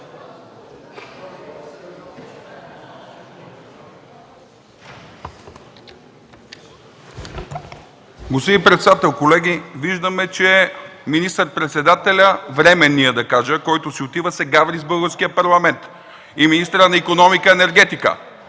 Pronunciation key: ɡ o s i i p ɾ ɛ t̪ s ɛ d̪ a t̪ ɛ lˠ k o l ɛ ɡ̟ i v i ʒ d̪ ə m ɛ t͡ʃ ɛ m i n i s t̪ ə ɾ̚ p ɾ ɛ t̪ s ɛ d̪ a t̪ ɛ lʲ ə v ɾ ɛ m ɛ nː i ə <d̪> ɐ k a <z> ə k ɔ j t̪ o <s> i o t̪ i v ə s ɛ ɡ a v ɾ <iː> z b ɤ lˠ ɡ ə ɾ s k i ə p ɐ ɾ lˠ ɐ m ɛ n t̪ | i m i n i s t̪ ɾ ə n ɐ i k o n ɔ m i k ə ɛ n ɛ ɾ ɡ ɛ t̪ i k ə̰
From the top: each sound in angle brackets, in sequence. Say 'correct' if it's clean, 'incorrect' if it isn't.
correct, incorrect: ʒ, correct, incorrect: i

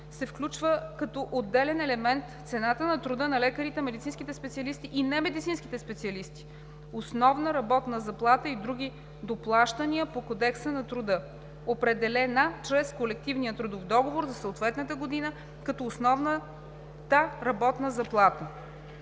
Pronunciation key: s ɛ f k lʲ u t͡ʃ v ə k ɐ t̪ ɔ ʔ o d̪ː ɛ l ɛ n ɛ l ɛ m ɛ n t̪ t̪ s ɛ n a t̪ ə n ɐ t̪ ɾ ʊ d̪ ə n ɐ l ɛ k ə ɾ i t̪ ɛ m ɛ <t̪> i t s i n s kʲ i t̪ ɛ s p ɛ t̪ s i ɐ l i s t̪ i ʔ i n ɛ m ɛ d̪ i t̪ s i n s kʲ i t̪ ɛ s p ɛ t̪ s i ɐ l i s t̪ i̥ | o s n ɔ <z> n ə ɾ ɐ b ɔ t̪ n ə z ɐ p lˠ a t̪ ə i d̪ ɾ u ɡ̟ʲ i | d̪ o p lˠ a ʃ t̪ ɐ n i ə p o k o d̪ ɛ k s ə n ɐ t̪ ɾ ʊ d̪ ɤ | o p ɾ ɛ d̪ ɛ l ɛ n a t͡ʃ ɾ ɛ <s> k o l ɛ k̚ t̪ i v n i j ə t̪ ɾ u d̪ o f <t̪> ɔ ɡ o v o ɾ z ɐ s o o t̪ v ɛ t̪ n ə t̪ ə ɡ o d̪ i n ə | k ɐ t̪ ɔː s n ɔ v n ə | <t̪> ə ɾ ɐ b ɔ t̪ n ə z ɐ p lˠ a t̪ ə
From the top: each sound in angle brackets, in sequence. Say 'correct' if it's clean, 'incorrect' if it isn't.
incorrect: d̪, incorrect: v, correct, incorrect: d̪, correct

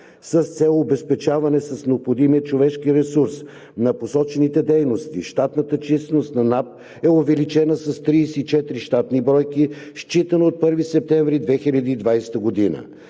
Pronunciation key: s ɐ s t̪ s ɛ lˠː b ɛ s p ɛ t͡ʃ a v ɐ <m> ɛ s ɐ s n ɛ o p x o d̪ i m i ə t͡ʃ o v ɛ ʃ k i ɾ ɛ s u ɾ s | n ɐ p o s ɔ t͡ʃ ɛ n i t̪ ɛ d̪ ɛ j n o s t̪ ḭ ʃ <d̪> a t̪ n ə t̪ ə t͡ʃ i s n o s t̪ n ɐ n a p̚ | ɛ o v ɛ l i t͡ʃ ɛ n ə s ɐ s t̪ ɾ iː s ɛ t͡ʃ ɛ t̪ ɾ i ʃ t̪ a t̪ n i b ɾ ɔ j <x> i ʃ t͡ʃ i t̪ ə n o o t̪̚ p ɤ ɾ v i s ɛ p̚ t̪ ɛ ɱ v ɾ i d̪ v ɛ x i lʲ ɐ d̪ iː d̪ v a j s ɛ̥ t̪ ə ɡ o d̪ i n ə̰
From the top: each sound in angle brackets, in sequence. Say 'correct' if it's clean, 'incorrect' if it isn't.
incorrect: n, incorrect: t̪, incorrect: k

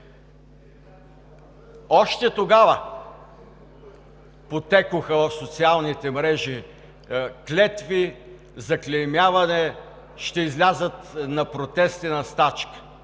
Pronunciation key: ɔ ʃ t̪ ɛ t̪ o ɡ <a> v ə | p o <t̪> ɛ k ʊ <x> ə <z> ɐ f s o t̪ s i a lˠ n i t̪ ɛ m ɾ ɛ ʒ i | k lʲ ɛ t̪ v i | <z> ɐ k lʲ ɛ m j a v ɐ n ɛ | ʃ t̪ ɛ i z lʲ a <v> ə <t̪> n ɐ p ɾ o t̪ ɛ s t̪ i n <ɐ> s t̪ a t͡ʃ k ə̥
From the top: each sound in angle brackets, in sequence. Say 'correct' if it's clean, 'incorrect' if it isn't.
correct, correct, correct, incorrect: v, correct, incorrect: z, correct, correct

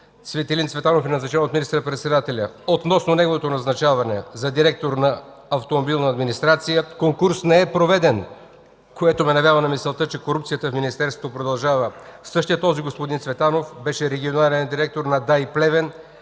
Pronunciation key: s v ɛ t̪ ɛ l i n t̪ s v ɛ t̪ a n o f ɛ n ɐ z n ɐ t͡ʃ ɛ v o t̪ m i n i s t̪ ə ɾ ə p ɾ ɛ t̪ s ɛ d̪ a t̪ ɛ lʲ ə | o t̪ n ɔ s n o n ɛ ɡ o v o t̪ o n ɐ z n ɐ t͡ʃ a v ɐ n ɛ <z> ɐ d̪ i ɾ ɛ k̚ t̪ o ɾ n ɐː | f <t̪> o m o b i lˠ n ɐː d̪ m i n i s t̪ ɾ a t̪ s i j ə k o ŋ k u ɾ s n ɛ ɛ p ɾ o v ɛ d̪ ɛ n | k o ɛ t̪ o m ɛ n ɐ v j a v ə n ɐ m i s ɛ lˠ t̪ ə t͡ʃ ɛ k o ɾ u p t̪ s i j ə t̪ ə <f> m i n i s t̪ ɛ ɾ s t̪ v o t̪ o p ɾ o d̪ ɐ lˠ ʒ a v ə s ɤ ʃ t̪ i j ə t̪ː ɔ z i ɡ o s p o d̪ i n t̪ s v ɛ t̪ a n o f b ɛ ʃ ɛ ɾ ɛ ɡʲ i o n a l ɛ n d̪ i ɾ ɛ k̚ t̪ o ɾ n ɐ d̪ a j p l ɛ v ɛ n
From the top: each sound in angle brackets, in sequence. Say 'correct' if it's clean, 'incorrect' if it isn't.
correct, correct, correct

